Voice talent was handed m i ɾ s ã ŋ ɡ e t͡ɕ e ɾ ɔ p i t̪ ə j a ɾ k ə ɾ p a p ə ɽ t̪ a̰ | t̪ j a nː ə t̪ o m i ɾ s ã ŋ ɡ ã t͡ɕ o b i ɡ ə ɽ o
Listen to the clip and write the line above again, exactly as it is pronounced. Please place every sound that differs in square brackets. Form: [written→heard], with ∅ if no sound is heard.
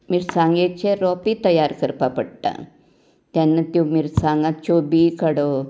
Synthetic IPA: m i ɾ s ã ŋ ɡ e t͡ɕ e ɾ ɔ p i t̪ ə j a ɾ k ə ɾ p a p ə ɽ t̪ a̰ | t̪ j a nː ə t̪ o m i ɾ s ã ŋ ɡ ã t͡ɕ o b i [ɡ→k] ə ɽ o